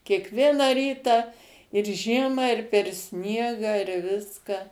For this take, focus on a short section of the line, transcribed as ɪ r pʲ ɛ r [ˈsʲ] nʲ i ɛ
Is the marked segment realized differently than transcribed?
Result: no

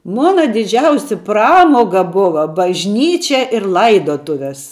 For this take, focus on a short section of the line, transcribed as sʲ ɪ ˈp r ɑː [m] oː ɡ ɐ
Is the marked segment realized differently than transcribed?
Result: no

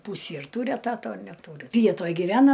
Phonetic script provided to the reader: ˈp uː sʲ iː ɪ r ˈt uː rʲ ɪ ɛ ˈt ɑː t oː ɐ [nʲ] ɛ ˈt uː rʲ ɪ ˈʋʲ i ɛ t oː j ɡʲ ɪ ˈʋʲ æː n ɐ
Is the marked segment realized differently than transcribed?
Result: no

